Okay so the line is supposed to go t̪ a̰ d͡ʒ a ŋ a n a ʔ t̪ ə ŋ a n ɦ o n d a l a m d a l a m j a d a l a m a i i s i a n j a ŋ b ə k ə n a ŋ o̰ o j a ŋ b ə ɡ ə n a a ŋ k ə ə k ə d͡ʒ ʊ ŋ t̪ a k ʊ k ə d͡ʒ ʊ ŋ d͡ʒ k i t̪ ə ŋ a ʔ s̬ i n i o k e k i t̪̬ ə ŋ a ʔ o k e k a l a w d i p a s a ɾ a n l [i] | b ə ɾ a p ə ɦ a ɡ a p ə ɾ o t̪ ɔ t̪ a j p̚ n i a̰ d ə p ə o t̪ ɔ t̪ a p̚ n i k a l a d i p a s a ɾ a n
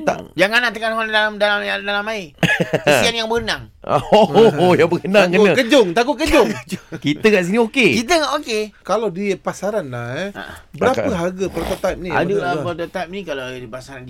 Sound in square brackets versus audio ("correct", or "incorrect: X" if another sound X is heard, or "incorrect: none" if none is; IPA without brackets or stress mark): incorrect: a